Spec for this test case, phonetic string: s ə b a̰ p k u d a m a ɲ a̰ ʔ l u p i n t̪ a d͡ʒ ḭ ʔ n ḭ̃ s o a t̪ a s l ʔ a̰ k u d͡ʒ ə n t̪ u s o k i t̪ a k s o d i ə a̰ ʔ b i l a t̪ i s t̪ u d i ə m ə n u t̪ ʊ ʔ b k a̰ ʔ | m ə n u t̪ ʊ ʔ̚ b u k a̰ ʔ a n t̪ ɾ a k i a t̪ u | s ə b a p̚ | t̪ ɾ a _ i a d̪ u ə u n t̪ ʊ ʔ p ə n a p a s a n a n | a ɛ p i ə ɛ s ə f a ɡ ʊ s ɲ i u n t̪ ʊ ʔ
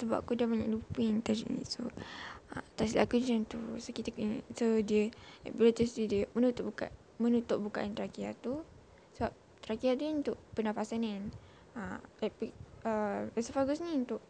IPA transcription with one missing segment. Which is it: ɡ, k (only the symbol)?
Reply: k